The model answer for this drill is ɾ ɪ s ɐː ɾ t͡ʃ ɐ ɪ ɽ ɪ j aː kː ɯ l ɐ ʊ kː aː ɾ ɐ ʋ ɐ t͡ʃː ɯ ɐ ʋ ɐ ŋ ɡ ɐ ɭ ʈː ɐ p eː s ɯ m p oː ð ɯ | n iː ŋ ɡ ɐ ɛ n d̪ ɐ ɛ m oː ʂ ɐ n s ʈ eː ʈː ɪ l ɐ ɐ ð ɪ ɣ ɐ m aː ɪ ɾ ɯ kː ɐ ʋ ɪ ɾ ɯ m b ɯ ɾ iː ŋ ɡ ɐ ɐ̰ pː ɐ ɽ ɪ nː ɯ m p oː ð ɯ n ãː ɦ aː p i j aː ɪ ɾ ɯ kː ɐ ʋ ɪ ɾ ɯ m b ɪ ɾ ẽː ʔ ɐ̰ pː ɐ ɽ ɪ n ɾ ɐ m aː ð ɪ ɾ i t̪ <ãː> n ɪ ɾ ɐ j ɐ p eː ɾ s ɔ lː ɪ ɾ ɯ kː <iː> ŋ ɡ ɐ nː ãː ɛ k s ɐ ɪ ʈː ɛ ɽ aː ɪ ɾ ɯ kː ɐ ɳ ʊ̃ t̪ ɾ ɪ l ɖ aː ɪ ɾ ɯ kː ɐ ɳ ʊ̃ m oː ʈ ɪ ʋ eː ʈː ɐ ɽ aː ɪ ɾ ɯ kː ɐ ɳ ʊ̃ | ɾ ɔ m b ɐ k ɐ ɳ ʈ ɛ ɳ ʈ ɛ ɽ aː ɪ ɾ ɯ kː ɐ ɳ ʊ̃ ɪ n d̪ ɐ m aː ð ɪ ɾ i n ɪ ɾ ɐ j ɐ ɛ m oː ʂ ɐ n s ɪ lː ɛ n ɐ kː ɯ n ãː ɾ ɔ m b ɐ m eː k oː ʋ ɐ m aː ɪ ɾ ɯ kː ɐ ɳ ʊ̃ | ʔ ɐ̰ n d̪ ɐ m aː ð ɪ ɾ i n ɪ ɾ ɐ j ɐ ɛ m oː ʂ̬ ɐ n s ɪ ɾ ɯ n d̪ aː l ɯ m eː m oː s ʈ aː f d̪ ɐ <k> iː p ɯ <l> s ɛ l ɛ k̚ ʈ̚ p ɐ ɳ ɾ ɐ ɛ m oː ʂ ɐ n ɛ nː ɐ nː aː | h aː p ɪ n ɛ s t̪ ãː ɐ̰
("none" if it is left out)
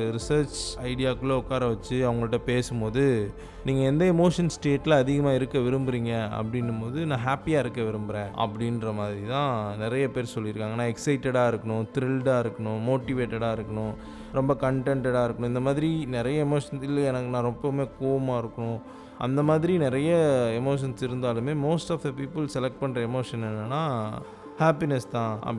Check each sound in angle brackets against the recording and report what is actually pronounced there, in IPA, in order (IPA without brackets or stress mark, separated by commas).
ãː, aː, p, l